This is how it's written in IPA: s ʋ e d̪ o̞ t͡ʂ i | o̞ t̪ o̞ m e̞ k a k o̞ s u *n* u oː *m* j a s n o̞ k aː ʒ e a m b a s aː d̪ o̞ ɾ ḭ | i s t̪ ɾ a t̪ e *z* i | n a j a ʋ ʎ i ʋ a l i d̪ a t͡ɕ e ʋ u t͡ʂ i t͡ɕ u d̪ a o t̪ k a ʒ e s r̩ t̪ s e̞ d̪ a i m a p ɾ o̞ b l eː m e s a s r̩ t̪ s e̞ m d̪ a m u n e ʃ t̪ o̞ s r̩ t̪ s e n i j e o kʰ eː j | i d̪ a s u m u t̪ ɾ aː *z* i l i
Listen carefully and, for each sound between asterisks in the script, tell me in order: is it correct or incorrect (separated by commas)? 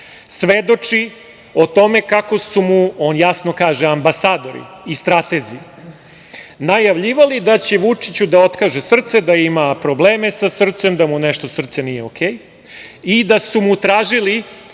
incorrect, incorrect, correct, incorrect